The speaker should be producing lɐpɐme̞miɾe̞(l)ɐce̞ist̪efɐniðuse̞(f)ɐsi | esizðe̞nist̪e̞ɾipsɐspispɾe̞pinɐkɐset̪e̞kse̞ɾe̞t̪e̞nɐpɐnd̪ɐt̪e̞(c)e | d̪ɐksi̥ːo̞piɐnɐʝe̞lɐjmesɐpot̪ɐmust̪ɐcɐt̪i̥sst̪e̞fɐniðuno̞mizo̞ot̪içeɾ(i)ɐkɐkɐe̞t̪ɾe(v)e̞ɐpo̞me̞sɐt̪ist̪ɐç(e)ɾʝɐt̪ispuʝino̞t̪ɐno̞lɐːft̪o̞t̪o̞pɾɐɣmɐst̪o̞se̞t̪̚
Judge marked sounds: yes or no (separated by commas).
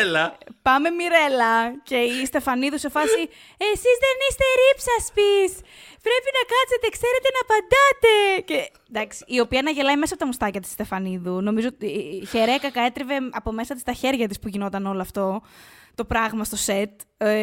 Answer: yes, yes, yes, no, yes, yes